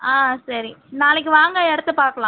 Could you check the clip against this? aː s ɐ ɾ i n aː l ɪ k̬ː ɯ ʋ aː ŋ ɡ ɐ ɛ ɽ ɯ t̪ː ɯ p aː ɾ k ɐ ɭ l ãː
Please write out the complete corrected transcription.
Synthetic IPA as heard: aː s ɐ ɾ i n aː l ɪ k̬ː ɯ ʋ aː ŋ ɡ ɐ ɛ ɽ ɯ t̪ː ɯ p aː ɾ k ɐ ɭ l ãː